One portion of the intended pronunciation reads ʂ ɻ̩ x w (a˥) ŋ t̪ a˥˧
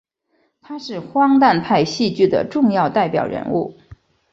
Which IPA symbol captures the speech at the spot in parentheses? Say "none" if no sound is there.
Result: ɑ˥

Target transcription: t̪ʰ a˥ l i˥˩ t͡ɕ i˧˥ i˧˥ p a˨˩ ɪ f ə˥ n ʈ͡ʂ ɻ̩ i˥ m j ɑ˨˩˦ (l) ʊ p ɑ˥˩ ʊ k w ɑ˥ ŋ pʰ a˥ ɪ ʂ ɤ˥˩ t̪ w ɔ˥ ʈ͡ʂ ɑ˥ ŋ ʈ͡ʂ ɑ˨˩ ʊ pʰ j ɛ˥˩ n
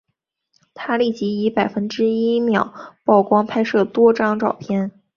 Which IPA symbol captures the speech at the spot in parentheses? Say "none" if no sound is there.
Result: none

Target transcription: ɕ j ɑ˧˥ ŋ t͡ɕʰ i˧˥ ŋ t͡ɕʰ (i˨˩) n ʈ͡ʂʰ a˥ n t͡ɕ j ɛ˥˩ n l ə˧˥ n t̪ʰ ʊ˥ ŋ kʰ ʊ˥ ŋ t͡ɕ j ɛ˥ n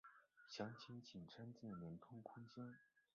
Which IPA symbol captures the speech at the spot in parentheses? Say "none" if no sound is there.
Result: i˨˩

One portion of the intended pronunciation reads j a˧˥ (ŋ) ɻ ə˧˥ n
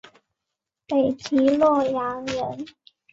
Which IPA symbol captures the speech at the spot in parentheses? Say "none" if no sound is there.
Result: ŋ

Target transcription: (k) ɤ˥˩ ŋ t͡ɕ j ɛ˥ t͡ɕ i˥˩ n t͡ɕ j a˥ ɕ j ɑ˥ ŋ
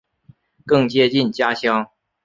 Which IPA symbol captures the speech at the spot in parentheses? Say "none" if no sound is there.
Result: k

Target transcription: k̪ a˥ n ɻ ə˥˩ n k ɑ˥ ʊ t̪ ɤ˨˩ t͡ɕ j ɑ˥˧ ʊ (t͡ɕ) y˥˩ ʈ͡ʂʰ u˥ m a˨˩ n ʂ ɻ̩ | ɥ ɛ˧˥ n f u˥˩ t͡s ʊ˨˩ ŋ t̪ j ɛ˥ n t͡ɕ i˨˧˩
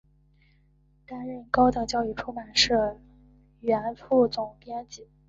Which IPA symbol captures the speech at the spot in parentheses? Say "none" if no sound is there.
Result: none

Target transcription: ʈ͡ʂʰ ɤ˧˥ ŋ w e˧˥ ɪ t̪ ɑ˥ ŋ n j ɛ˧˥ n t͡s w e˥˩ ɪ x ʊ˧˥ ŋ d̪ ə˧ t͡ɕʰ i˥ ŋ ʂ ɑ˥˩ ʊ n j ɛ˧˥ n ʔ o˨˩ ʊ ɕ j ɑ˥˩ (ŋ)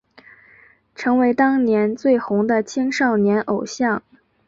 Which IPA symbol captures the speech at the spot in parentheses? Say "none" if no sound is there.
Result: ŋ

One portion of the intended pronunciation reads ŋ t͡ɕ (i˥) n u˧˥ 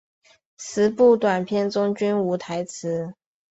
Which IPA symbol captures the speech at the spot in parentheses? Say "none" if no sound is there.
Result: y˥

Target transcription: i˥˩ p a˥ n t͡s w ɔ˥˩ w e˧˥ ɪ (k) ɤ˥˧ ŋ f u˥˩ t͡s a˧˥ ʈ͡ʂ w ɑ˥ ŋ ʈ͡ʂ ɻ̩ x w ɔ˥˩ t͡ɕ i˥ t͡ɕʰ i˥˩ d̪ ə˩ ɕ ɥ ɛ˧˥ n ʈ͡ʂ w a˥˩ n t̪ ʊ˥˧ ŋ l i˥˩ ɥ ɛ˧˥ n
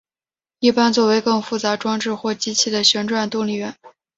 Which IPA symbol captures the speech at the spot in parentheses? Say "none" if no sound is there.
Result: k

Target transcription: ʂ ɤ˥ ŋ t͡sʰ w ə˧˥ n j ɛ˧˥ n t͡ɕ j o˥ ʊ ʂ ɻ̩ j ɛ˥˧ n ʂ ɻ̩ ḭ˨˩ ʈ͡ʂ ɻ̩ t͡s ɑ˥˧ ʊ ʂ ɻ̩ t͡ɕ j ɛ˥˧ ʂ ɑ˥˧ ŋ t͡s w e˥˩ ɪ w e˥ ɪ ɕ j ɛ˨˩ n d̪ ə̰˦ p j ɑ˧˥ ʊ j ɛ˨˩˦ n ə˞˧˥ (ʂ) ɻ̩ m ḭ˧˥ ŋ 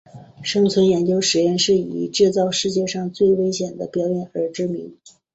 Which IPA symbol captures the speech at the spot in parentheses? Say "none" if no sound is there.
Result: ʈ͡ʂ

